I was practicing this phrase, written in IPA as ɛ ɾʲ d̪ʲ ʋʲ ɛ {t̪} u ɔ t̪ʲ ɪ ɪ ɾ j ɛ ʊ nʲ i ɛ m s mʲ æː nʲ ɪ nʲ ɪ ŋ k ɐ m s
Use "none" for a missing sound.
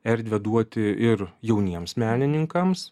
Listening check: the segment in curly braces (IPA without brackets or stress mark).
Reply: d̪